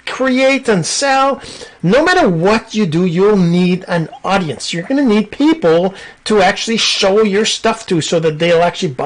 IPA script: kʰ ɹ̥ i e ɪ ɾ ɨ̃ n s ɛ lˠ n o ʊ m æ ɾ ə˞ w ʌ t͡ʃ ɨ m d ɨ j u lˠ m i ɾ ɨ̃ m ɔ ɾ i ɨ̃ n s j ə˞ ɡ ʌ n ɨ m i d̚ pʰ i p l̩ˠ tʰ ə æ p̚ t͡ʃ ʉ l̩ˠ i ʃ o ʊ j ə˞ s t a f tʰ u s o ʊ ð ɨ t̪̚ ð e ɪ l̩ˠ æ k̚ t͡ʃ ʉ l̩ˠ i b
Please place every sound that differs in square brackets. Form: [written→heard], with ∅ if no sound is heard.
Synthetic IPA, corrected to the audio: kʰ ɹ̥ i e ɪ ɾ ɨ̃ n s ɛ lˠ n o ʊ m æ ɾ ə˞ w ʌ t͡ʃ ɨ [m→∅] d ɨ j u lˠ [m→n] i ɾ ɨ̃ [m→n] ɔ ɾ i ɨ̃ n s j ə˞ ɡ ʌ n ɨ [m→n] i d̚ pʰ i p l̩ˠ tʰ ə æ [p̚→k̚] t͡ʃ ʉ l̩ˠ i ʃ o ʊ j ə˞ s t [a→ʌ] f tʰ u s o ʊ ð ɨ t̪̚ ð e ɪ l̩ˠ æ k̚ t͡ʃ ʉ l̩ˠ i b